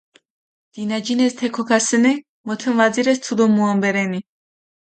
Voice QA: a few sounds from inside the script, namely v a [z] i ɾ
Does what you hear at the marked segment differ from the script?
no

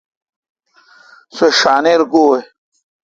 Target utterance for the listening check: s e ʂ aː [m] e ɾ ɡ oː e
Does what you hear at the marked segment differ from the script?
yes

